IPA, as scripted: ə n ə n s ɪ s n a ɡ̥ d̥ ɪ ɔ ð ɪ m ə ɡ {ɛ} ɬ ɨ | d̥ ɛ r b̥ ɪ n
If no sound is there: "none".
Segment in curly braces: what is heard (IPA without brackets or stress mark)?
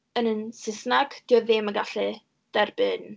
a